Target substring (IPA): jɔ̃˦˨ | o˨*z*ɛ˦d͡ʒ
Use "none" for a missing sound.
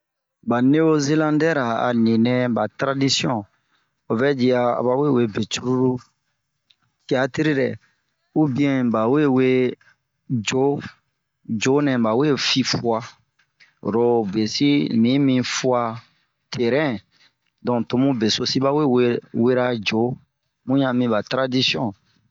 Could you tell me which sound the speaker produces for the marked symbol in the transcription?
v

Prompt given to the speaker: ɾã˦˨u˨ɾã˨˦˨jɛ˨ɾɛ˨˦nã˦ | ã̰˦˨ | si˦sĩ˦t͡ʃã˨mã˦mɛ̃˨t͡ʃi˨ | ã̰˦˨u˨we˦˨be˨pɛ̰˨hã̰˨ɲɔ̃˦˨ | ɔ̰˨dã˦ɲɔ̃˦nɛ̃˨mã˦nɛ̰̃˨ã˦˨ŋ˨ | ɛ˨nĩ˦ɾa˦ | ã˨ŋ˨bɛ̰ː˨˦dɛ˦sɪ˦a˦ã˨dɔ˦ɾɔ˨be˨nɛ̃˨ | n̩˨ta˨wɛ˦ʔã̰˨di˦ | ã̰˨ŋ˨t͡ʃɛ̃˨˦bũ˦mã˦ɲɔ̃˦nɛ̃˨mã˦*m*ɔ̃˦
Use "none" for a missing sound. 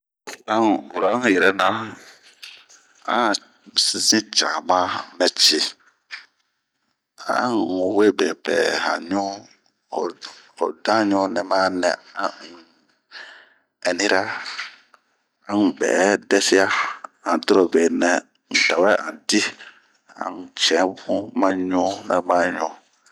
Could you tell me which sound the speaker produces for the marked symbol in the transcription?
ɲ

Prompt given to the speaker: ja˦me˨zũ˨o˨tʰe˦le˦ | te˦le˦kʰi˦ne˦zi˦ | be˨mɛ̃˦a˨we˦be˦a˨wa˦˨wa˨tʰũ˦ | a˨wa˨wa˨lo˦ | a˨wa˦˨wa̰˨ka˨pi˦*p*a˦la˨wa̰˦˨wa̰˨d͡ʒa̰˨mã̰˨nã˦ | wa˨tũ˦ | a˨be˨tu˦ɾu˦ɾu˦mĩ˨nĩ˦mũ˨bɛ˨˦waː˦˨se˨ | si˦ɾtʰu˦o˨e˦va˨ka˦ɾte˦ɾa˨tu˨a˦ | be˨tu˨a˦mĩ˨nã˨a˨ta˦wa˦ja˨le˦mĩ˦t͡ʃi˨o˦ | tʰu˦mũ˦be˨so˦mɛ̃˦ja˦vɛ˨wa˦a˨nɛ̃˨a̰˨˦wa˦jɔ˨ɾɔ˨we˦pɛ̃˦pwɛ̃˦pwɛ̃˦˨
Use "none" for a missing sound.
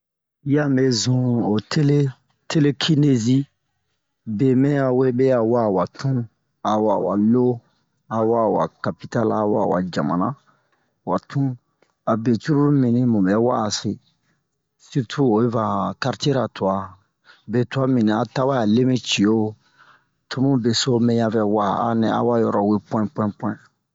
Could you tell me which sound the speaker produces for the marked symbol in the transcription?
t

